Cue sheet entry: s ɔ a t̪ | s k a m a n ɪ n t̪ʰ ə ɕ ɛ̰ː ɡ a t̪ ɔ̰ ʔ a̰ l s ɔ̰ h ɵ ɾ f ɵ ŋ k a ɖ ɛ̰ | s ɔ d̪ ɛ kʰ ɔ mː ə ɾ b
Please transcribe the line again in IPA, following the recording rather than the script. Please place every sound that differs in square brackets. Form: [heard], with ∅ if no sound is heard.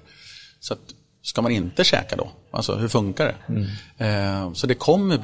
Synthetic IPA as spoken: s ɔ a t̪ | s k a m a n ɪ n [t̪] ə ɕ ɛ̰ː [k] a [d̪] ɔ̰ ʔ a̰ l s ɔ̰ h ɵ ɾ f ɵ ŋ k a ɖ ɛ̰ | s ɔ d̪ ɛ kʰ ɔ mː ə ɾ b